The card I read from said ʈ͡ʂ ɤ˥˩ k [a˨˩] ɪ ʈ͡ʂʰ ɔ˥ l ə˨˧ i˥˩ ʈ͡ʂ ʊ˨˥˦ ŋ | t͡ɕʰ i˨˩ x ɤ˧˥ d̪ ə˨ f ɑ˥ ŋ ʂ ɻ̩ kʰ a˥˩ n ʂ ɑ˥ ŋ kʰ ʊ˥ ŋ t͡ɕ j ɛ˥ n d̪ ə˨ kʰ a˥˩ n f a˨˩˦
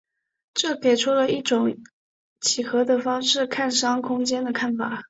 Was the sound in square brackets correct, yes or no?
no